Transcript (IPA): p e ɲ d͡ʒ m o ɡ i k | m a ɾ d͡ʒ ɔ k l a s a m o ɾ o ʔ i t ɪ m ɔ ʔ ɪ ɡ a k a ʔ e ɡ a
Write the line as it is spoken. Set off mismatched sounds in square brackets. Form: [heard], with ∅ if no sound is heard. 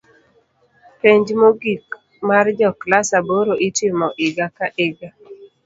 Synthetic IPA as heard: p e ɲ d͡ʒ m o ɡ i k | m a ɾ d͡ʒ ɔ k l a s a [b] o ɾ o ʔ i t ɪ m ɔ ʔ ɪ ɡ a k a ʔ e ɡ a